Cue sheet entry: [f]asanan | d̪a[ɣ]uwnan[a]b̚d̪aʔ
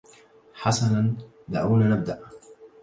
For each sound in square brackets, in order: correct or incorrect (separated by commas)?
incorrect, incorrect, correct